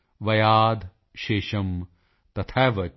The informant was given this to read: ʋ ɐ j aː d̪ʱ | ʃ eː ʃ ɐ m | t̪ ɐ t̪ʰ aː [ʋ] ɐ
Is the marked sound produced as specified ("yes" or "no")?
yes